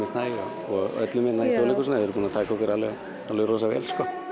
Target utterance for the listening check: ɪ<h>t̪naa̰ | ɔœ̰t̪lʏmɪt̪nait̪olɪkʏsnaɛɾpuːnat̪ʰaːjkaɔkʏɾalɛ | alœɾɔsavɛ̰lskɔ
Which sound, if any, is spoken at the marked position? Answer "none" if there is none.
s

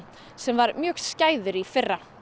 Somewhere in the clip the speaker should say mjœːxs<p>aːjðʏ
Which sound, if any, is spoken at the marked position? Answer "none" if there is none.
c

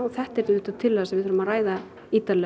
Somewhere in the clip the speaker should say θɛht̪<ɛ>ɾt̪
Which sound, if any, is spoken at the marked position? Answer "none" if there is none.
ɛ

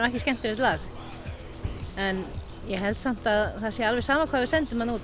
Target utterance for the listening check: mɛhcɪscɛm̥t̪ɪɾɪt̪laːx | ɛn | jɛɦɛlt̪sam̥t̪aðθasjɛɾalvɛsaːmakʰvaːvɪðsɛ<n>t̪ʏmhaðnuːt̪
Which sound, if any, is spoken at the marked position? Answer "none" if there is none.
n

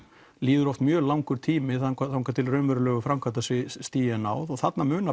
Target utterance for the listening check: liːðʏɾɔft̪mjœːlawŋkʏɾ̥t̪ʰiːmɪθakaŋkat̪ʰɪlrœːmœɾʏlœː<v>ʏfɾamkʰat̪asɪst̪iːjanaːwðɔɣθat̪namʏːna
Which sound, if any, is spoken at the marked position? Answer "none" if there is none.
ɣ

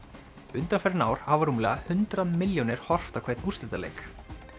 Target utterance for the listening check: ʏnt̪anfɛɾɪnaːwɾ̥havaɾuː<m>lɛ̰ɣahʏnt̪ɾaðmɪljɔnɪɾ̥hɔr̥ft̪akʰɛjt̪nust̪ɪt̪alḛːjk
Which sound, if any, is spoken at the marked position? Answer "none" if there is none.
m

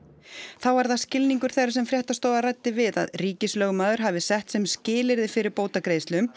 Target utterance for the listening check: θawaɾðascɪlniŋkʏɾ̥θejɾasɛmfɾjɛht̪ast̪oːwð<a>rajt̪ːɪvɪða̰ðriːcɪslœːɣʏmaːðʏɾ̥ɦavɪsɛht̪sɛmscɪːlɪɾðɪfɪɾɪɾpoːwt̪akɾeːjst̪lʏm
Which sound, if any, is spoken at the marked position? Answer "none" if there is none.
a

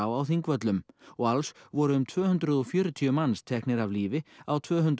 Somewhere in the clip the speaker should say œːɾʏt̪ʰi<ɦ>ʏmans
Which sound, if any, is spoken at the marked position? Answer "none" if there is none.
none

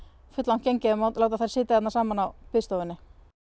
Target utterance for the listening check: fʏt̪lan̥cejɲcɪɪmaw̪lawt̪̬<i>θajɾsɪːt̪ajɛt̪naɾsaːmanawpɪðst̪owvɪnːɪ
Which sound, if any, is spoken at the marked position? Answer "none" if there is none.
a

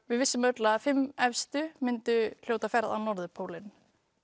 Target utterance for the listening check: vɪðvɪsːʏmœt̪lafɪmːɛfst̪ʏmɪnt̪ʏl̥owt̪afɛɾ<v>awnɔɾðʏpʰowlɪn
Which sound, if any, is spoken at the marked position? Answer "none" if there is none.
ð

